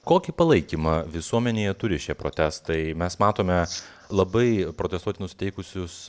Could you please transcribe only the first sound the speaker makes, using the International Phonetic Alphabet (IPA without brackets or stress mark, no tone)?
k